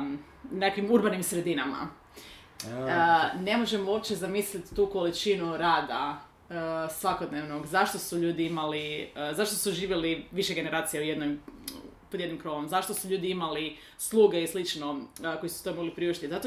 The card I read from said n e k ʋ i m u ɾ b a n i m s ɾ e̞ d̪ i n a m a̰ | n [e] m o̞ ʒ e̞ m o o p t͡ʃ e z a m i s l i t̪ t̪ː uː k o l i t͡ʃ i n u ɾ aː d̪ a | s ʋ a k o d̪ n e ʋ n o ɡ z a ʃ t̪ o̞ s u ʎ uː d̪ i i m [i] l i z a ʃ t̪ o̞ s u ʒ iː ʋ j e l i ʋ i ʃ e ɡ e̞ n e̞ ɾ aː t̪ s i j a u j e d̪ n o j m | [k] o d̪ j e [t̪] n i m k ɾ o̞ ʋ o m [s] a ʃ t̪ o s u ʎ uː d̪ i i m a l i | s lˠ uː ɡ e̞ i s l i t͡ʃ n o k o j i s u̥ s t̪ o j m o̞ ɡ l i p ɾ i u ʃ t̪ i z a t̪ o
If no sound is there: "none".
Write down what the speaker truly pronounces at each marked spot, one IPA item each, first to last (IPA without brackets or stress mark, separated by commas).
e, a, p, d̪, z